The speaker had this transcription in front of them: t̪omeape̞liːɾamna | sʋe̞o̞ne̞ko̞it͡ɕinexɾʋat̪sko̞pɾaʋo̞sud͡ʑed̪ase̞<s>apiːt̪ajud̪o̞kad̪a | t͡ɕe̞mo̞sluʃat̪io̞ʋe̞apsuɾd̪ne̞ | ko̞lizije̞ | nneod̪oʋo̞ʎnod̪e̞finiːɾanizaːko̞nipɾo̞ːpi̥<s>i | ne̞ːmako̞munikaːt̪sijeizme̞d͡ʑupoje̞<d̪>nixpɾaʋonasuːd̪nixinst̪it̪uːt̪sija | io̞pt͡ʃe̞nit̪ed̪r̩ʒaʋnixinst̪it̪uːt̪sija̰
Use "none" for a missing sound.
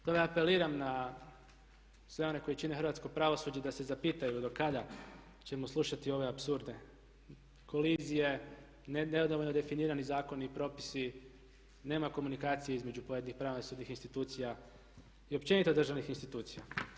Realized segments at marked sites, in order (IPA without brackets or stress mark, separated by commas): z, s, d̪